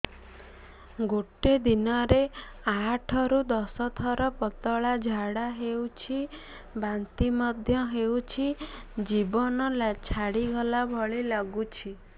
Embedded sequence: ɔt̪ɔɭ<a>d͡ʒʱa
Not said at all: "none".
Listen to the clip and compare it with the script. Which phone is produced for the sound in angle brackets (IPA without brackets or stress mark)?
a